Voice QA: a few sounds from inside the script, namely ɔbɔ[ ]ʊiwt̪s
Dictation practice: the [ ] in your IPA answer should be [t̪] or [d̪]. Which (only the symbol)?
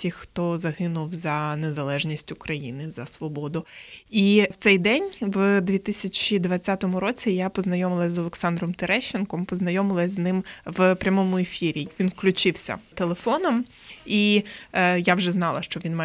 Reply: d̪